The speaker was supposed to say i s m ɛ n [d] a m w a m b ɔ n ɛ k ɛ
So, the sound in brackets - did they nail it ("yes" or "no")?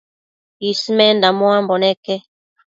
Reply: yes